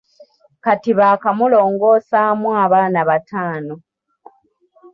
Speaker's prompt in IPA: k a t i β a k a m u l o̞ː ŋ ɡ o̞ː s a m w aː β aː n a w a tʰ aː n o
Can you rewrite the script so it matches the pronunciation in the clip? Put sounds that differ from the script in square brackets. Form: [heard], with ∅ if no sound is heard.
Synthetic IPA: k a t i β a k a m u l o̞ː ŋ ɡ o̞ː s a m w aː β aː n a [β] a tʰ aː n o

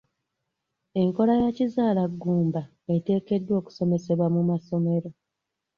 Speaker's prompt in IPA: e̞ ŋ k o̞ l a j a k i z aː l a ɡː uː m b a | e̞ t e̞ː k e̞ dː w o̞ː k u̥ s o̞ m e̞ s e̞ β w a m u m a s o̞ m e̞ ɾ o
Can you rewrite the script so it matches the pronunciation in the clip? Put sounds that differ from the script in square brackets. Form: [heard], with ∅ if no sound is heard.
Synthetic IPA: e̞ ŋ k o̞ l a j a [c] i z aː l a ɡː uː m b a | e̞ t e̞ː k e̞ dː w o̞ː k u̥ s o̞ m e̞ s e̞ β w a m u m a s o̞ m e̞ ɾ o

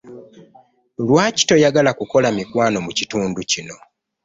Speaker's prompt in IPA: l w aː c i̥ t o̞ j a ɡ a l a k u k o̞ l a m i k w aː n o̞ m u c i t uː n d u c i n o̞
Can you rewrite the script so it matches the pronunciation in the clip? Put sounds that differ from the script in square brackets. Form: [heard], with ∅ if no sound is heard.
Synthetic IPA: l w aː c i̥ t o̞ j a ɡ a l a k u k o̞ l a m i k w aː n o̞ m u c i t uː n d u c i n o̞

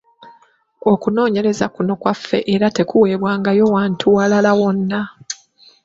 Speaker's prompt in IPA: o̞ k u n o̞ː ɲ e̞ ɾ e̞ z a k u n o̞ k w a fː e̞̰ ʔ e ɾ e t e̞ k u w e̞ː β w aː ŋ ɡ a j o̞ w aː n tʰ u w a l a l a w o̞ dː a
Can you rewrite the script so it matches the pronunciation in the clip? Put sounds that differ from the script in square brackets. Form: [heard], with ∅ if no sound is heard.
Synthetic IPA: o̞ k u n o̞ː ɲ e̞ ɾ e̞ z a k u n o̞ k w a fː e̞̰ ʔ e ɾ [a] t e̞ k u w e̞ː β w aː ŋ ɡ a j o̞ w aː n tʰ u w a l a l a w o̞ [nː] a

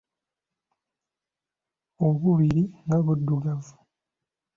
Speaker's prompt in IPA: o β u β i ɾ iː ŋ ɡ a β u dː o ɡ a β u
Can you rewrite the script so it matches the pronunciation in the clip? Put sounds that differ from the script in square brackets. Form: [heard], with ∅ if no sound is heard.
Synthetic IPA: o β u β i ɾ [i] ŋ ɡ a β u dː [u] ɡ a [v] u

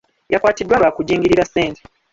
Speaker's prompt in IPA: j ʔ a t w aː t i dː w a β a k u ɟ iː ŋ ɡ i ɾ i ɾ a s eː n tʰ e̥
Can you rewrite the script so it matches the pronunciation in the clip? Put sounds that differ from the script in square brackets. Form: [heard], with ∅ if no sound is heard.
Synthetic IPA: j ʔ a [k] w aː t i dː w a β a k u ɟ iː ŋ ɡ i ɾ i ɾ a s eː n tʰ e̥

